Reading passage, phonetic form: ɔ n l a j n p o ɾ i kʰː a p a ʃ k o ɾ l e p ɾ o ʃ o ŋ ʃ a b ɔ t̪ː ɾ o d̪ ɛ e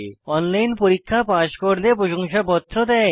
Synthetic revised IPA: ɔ n l a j n p o ɾ i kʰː a p a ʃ k o ɾ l e p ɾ o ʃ o ŋ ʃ a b ɔ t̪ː ɾ o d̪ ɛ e